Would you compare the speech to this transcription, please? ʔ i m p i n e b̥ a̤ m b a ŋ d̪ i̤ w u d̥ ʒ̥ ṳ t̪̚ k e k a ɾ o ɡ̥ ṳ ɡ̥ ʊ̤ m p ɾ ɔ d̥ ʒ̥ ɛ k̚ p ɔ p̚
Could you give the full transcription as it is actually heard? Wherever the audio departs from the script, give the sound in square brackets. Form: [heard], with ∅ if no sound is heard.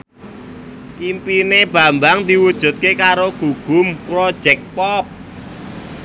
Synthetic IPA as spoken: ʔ i m p i n e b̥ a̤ m b a ŋ d̪ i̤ w u d̥ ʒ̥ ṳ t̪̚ k e k a ɾ o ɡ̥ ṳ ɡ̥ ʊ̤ m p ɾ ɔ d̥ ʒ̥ ɛ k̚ p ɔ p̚